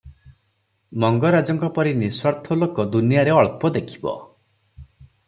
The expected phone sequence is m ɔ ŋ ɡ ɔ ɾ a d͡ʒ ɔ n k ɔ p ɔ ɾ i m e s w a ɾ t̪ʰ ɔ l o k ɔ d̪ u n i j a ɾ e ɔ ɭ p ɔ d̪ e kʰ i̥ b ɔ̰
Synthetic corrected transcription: m ɔ ŋ ɡ ɔ ɾ a d͡ʒ ɔ ŋ k ɔ p ɔ ɾ i n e s w a ɾ t̪ʰ ɔ l o k ɔ d̪ u n i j a ɾ e ɔ ɭ p ɔ d̪ e kʰ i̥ b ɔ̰